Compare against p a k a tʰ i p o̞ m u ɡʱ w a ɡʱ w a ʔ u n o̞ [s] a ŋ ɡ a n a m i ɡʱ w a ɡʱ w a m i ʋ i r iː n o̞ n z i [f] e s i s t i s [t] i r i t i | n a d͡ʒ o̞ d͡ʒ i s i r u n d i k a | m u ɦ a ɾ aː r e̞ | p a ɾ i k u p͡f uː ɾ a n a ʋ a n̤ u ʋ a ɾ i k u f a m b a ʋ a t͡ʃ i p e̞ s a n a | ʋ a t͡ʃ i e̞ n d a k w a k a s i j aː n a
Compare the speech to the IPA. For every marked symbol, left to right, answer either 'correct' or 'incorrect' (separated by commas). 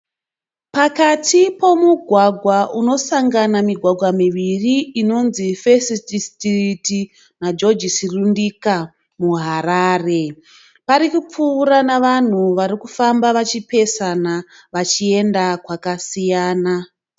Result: correct, correct, correct